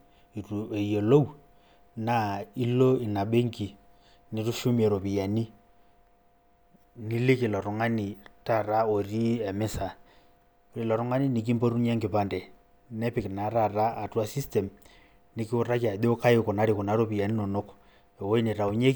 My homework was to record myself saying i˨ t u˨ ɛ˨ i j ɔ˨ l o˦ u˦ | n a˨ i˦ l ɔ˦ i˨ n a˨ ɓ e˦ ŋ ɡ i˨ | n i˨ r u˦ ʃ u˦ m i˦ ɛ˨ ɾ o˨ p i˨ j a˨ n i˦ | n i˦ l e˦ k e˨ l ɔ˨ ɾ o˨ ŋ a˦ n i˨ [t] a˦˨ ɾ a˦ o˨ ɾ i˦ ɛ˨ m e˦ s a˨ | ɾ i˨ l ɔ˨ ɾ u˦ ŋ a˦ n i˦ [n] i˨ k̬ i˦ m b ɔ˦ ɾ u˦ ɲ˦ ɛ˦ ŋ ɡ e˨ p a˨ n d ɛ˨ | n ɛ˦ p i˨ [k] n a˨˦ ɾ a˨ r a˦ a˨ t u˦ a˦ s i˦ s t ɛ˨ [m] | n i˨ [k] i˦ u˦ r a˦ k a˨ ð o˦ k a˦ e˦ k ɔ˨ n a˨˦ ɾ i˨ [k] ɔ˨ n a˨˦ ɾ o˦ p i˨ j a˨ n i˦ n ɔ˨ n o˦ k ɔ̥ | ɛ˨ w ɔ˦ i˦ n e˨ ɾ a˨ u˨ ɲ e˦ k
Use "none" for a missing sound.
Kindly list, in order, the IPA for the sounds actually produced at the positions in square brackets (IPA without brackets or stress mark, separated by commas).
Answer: t, n, k, m, k, k